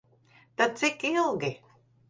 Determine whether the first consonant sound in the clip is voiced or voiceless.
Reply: voiceless